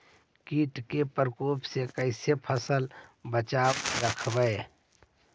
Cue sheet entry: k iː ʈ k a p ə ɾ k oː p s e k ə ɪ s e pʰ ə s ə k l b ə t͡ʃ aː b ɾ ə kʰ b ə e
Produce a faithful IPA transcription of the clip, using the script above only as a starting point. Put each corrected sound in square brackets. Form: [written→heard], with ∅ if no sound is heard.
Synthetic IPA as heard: k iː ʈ k [a→e] p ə ɾ k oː p s e k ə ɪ s e pʰ ə s ə [k→∅] l b ə t͡ʃ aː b ɾ ə kʰ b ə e